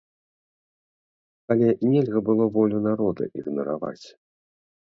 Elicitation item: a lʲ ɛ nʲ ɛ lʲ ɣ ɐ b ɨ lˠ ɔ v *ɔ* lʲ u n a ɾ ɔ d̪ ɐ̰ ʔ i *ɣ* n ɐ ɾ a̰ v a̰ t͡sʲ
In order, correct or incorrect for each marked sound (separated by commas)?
correct, correct